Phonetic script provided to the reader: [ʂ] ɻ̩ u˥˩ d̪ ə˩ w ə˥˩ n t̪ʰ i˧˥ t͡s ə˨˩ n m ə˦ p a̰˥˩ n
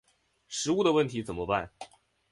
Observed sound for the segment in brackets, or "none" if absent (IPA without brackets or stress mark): ʂ